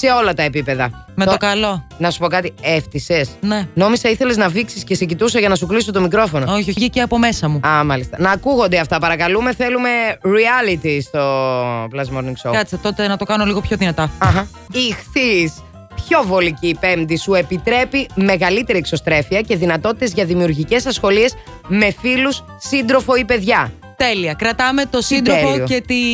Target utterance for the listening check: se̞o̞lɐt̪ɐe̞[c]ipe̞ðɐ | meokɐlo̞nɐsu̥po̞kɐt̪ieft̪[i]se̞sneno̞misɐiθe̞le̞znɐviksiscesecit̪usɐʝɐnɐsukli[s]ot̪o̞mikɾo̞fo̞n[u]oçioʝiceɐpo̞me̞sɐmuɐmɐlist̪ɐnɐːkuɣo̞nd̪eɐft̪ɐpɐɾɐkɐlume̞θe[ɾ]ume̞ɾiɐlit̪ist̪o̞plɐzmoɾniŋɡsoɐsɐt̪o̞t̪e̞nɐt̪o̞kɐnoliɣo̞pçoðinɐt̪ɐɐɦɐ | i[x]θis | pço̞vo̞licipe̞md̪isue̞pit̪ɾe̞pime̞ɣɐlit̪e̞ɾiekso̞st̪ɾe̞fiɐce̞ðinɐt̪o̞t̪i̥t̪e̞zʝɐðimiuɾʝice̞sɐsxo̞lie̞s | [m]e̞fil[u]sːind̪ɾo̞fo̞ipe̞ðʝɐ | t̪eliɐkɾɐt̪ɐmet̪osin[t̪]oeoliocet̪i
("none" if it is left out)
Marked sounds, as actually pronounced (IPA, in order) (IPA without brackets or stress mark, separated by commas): p, i, s, o, l, x, m, u, d̪